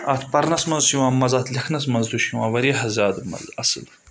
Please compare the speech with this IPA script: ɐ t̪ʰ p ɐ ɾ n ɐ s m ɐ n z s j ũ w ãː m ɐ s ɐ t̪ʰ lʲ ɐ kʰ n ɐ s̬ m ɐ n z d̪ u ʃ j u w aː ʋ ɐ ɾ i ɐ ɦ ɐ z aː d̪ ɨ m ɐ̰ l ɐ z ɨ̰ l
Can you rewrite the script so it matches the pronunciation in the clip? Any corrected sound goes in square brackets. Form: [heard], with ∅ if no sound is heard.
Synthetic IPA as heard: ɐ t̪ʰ p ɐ ɾ n ɐ s m ɐ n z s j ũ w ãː m ɐ [z] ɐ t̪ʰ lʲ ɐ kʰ n ɐ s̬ m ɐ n z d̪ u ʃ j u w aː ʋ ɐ ɾ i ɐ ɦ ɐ z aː d̪ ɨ m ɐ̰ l ɐ [s] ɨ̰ l